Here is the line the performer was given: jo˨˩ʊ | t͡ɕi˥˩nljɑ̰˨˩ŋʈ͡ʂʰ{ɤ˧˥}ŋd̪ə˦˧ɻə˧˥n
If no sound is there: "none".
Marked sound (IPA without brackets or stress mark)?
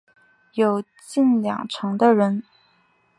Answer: ɤ˧˥